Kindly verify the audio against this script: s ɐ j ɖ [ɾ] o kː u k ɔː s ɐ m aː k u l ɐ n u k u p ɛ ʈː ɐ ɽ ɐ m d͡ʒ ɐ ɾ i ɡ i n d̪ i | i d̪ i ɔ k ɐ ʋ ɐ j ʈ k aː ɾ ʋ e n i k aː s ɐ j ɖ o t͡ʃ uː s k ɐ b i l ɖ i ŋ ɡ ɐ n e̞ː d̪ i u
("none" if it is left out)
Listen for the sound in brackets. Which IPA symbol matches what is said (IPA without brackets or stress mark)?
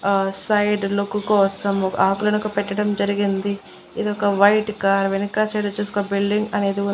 l